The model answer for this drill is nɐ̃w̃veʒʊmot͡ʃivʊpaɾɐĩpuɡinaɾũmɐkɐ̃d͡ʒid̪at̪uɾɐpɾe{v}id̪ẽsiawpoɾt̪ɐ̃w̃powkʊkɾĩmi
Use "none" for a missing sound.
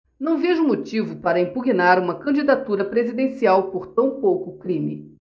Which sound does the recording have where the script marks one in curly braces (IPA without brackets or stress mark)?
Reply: z